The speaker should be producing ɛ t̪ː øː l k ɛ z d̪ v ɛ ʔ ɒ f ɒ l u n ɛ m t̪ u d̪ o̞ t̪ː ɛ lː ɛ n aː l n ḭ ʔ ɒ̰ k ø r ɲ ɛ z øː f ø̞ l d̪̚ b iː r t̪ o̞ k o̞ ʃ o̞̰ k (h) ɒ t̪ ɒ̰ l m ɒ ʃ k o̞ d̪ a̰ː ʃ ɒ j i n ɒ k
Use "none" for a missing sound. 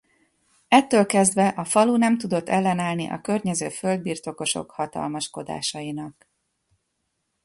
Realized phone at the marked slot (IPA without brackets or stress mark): h